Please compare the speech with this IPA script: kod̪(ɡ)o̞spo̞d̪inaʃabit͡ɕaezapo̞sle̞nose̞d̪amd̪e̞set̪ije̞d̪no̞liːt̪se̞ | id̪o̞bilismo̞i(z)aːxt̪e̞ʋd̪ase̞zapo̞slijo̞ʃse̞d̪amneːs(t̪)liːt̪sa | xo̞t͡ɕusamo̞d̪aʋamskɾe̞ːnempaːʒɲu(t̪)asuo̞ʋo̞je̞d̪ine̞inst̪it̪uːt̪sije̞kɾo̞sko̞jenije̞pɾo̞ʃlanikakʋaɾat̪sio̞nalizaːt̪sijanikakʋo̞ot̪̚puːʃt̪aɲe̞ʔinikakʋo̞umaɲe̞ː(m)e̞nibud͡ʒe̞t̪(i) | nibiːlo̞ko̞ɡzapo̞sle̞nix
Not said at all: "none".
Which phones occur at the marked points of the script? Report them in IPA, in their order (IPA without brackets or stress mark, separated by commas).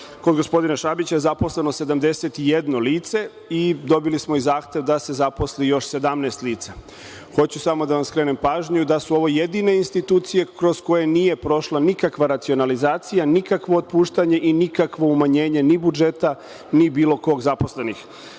ɡ, z, t̪, d̪, ɲ, a